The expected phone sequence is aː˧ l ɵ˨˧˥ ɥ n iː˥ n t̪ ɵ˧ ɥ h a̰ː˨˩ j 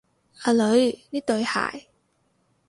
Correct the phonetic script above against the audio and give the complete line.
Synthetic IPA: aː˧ l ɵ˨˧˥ ɥ n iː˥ t̪ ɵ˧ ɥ h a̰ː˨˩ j